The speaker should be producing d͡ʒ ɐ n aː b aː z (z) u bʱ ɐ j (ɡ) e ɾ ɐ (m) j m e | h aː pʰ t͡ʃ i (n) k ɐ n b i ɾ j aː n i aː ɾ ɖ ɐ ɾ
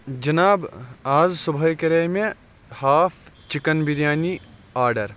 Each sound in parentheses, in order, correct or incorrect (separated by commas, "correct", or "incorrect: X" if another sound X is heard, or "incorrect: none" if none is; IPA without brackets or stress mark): incorrect: s, incorrect: k, incorrect: none, incorrect: none